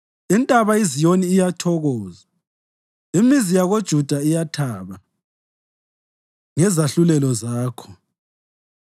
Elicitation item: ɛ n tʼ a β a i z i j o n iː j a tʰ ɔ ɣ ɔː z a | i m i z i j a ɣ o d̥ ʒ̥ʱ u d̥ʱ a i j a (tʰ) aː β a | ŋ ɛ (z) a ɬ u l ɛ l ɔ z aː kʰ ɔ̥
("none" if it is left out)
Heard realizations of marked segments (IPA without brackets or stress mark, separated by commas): tʰ, z